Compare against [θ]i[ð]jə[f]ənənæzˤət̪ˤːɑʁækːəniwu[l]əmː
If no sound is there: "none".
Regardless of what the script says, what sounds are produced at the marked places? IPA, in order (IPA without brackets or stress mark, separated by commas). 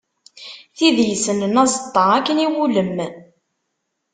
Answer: θ, ð, s, l